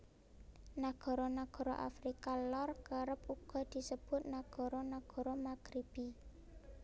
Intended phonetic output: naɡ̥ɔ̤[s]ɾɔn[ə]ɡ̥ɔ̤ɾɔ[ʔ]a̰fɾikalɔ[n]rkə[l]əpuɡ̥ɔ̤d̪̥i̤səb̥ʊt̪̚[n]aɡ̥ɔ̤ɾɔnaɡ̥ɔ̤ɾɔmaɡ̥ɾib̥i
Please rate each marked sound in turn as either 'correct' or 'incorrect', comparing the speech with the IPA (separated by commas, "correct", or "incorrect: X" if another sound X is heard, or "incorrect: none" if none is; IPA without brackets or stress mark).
incorrect: none, incorrect: a, correct, incorrect: none, incorrect: ɾ, correct